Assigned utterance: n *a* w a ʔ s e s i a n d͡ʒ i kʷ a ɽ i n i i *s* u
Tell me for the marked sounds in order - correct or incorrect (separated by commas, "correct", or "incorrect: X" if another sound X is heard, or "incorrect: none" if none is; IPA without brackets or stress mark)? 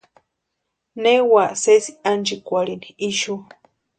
incorrect: e, incorrect: ʃ